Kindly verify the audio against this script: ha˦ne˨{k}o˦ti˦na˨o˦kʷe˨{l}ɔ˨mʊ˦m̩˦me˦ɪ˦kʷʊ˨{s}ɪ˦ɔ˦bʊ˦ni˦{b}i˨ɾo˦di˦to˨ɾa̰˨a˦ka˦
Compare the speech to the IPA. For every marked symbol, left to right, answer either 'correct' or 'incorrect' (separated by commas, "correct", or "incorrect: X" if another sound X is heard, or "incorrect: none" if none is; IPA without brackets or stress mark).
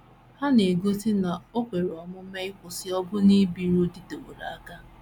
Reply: incorrect: ɡ, incorrect: ɾ, correct, correct